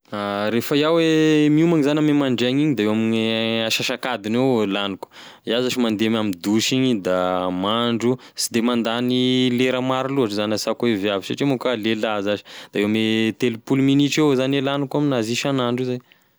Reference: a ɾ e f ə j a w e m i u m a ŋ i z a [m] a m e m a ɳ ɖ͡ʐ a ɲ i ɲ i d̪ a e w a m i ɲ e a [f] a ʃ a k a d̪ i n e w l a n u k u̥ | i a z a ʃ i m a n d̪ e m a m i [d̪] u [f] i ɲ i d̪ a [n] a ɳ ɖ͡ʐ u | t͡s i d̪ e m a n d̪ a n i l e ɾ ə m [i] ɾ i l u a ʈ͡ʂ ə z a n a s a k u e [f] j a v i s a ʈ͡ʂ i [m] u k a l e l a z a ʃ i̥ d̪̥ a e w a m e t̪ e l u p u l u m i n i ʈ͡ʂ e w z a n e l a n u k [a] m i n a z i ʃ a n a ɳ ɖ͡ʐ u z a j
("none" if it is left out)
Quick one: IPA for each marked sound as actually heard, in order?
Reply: n, ʃ, d̪, ʃ, m, a, v, m, a

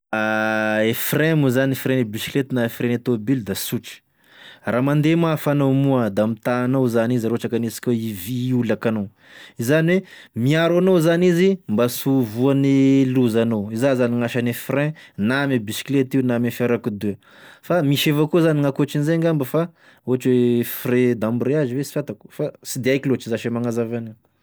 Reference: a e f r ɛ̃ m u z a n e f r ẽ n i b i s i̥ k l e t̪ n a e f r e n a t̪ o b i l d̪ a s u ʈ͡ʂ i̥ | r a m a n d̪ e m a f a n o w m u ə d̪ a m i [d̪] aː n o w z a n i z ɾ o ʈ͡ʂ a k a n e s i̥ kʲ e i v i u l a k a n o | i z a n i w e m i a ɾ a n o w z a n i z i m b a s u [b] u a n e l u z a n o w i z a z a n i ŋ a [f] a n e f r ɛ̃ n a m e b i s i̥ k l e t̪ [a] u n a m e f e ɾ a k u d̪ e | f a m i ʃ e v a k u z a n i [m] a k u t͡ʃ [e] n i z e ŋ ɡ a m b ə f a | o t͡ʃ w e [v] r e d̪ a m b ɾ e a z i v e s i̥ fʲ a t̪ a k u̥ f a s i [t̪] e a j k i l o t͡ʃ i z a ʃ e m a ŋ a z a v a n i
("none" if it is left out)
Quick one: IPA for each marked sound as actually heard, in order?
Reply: t̪, v, ʃ, i, ŋ, i, f, d̪

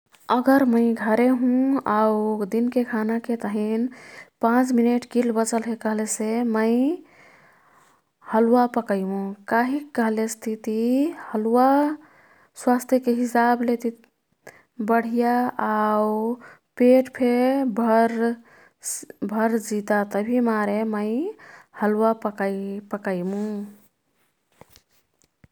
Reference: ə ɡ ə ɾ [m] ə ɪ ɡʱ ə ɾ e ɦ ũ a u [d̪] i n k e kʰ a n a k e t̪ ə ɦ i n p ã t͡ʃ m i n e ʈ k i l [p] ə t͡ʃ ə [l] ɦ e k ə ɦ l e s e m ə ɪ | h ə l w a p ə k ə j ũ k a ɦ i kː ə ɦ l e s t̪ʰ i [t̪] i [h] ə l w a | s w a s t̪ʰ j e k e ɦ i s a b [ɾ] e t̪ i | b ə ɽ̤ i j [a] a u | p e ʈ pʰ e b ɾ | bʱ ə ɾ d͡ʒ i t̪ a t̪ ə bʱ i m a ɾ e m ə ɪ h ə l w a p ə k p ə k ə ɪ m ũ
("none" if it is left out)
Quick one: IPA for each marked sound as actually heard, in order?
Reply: m, d̪, b, l, t̪, h, l, a

